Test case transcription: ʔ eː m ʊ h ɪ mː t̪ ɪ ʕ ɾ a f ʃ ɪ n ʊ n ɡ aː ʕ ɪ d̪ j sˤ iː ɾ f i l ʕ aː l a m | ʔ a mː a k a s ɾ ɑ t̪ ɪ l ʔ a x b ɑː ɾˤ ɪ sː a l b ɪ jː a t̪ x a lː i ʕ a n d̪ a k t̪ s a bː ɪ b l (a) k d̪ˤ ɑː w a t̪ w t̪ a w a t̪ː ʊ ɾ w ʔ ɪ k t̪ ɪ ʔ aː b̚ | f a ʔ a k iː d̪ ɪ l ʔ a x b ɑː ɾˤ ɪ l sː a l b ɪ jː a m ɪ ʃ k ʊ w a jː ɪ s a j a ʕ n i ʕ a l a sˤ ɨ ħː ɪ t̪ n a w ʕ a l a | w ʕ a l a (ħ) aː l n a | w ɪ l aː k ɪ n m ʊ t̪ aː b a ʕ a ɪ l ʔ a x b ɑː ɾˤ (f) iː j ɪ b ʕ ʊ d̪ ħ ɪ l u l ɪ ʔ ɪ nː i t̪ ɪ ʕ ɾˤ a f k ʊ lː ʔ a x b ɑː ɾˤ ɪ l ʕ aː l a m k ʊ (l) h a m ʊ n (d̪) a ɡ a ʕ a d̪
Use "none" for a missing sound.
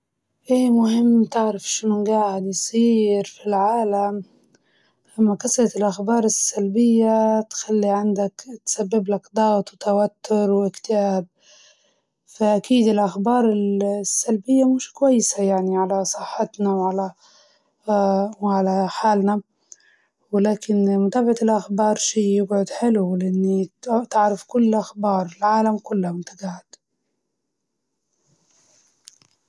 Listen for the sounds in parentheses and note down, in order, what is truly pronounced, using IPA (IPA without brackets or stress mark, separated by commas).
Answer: a, ħ, ʃ, lː, t̪